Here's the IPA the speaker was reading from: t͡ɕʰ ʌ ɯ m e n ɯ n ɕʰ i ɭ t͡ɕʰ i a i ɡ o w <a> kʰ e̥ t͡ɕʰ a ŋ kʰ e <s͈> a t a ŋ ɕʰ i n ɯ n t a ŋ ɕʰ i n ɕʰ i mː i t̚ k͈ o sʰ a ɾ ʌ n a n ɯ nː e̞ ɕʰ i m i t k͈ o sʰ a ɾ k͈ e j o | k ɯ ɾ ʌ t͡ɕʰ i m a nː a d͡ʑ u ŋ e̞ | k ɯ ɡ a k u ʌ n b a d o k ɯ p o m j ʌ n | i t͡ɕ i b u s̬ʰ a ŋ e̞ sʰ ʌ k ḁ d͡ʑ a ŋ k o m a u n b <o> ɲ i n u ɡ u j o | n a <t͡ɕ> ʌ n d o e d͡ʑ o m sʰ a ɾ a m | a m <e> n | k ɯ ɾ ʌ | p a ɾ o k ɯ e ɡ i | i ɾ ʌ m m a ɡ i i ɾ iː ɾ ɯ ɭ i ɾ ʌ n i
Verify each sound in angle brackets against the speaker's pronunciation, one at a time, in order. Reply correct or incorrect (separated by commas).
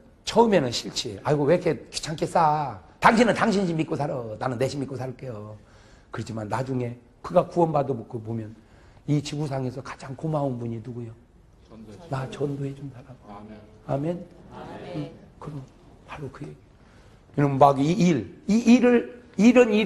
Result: incorrect, correct, incorrect, correct, correct